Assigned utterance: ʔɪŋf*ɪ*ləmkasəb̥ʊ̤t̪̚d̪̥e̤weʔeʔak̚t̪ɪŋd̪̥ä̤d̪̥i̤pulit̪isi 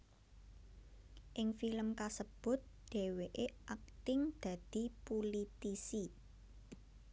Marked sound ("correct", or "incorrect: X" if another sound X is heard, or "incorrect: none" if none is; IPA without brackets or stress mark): incorrect: i